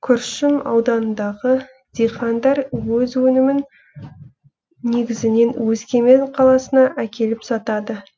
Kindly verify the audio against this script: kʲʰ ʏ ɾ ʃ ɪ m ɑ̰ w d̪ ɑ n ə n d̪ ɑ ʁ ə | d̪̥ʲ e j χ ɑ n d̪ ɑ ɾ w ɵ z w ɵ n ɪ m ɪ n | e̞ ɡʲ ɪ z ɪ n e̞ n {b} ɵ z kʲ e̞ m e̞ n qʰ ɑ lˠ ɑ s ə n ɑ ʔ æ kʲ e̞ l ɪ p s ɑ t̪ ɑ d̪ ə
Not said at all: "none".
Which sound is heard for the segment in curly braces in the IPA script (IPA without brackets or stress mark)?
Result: w